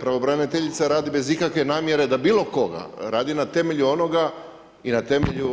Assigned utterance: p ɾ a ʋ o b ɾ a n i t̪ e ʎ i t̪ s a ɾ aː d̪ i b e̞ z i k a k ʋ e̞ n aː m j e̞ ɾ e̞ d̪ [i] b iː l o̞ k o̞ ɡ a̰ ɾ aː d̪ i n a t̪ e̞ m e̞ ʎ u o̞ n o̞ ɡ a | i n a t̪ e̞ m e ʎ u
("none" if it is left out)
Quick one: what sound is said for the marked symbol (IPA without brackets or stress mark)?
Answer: a